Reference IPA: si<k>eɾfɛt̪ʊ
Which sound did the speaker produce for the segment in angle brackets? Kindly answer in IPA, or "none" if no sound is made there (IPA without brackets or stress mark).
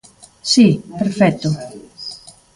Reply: p